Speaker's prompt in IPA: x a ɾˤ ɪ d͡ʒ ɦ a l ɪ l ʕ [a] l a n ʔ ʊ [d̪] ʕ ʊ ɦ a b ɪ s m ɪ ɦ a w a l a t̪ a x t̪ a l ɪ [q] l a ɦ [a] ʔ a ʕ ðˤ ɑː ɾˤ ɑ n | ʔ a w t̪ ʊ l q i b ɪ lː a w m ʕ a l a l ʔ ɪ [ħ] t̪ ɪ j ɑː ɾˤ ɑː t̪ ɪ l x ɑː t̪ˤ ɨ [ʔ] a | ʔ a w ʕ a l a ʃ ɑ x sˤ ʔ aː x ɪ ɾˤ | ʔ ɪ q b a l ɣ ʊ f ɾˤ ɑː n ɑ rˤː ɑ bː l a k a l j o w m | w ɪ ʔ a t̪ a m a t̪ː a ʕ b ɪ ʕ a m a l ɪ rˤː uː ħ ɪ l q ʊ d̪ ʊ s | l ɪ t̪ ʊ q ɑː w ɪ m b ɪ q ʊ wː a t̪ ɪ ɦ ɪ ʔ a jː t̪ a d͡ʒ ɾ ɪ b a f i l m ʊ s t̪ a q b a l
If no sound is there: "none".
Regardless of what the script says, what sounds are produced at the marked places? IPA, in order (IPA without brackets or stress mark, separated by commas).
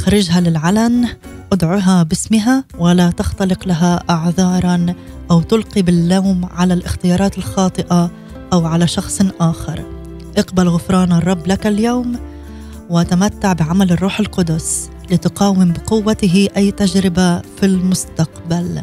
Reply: a, d̪, q, a, x, ʔ